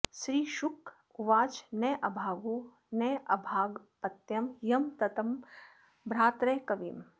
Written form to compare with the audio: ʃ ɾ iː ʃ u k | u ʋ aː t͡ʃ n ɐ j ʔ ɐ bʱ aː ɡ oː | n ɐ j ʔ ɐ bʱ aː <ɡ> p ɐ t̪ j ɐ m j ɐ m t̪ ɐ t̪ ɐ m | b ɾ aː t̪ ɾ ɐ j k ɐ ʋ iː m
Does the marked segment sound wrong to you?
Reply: no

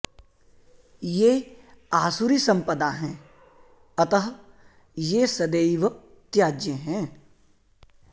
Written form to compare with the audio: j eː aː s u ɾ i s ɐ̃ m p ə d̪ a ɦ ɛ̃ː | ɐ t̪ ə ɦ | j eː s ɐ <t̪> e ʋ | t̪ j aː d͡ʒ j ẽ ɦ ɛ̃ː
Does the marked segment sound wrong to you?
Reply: yes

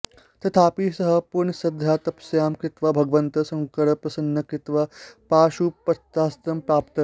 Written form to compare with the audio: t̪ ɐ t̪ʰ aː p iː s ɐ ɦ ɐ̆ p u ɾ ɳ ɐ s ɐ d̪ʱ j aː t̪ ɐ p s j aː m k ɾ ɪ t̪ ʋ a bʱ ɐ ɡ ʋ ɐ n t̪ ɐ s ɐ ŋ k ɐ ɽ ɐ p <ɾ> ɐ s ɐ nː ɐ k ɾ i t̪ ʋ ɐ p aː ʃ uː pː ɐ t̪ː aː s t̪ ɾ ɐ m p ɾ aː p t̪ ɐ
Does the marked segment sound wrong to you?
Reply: no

